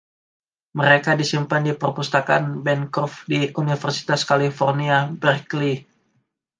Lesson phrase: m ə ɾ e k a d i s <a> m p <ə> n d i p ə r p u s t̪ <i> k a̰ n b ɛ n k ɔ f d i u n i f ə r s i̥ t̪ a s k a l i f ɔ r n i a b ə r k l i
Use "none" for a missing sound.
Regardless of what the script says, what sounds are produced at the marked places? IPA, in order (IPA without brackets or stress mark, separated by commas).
i, a, a